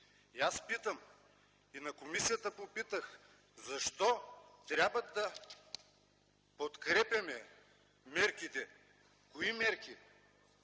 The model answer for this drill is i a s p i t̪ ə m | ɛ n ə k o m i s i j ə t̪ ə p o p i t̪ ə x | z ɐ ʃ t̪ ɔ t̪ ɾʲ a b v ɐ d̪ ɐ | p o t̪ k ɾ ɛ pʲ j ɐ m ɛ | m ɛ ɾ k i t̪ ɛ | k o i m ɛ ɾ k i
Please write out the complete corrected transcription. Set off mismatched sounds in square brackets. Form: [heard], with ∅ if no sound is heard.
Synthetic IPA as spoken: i a s p i t̪ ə m | [i] n [ɐ] k o m i s i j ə t̪ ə p o p i t̪ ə x | z ɐ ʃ t̪ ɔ t̪ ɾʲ a b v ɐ d̪ ɐ | p o t̪ k ɾ ɛ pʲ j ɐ m ɛ | m ɛ ɾ k i t̪ ɛ | k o i m ɛ ɾ k i